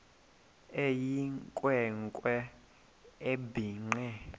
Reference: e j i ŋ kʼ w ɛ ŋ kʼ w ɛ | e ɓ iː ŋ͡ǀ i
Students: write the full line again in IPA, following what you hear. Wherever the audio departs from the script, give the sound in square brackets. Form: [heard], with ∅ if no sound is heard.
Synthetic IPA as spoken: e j i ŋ kʼ w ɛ ŋ kʼ w ɛ | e [b] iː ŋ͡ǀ [ɛ]